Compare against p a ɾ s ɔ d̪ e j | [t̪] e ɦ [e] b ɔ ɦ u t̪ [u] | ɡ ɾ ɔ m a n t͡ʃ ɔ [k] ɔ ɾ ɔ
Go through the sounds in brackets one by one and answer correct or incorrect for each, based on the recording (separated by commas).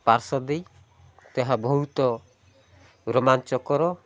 correct, incorrect, incorrect, correct